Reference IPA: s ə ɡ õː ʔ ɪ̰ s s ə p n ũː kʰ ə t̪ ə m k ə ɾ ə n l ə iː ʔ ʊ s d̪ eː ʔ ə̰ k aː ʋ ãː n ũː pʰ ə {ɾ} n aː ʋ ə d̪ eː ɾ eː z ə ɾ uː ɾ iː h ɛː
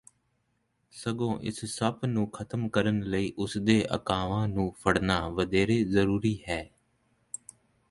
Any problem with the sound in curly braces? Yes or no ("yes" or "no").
yes